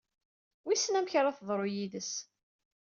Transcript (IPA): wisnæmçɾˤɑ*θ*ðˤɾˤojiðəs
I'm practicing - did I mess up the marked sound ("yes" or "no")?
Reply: no